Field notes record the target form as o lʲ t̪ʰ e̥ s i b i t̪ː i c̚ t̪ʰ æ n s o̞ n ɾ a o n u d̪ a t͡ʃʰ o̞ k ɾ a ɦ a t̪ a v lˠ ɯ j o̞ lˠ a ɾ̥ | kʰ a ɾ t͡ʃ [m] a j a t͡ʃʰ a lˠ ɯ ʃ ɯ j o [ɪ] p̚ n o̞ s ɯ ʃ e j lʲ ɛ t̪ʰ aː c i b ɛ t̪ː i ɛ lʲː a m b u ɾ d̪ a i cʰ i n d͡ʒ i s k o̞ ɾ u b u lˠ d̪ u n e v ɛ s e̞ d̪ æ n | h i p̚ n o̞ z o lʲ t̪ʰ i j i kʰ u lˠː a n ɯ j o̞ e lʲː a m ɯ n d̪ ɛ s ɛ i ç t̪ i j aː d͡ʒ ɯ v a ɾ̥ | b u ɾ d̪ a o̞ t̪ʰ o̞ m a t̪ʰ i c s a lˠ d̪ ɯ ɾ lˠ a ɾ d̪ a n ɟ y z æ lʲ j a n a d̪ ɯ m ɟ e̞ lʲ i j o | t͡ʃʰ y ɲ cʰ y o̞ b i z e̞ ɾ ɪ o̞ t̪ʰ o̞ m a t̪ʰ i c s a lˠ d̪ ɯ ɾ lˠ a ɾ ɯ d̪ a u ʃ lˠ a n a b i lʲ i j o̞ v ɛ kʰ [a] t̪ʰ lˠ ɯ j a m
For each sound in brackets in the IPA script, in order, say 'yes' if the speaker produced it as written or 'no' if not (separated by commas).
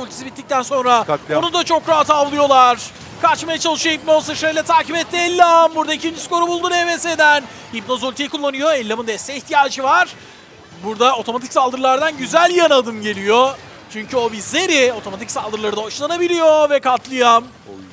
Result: yes, no, yes